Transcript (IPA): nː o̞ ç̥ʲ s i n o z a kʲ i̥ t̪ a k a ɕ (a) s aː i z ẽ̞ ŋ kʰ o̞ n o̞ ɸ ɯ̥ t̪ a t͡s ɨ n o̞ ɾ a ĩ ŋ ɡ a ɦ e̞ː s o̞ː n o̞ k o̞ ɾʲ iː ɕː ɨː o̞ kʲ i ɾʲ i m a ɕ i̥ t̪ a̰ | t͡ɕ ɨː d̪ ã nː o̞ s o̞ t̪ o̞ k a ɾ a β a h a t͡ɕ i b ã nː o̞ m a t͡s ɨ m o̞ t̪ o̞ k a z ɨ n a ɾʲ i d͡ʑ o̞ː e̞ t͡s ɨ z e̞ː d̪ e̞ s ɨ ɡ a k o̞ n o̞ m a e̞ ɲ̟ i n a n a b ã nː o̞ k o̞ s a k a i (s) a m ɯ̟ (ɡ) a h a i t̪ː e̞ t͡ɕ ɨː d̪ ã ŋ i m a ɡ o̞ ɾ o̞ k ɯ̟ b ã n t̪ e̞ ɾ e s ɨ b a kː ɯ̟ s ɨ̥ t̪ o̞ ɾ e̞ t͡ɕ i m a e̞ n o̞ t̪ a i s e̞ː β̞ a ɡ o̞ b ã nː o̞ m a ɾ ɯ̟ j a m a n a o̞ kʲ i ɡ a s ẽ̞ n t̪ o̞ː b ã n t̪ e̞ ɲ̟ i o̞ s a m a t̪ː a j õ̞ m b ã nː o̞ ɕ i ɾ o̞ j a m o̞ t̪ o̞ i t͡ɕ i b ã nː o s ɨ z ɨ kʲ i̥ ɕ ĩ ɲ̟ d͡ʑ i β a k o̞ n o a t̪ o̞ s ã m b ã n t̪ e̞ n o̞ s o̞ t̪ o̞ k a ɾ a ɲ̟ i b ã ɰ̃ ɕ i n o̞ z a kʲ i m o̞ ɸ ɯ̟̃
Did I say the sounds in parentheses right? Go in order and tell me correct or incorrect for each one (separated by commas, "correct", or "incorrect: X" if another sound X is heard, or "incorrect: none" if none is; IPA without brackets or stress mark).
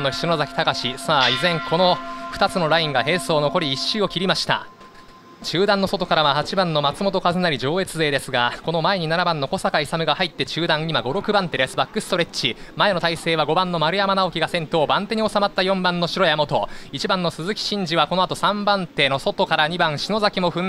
incorrect: i, correct, correct